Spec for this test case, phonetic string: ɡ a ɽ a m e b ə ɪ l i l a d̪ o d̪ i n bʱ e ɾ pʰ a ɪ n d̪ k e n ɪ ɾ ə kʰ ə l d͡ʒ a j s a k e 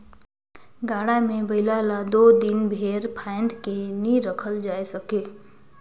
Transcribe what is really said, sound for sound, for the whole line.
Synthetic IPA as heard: ɡ a ɽ a m e b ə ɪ l a l a d̪ o d̪ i n bʱ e ɾ pʰ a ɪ n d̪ k e n i ɾ ə kʰ ə l d͡ʒ a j s ə k e